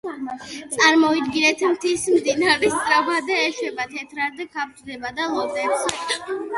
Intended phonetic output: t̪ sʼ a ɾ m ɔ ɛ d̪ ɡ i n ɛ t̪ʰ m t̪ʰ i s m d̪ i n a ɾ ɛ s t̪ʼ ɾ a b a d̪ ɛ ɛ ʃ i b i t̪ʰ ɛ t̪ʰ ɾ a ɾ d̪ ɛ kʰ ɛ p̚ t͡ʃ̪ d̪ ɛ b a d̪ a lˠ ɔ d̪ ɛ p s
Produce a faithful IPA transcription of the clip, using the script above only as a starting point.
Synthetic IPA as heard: t̪ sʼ a ɾ m ɔ i d̪ ɡ i n ɛ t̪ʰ m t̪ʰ i s m d̪ i n a ɾ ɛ s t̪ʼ ɾ a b a d̪ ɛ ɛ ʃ ɛ b a t̪ʰ ɛ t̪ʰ ɾ a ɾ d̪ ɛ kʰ a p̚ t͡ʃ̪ d̪ ɛ b a d̪ a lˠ ɔ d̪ ɛ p s